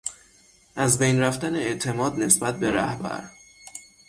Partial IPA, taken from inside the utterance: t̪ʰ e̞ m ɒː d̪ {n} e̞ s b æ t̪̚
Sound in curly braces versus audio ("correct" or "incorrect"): correct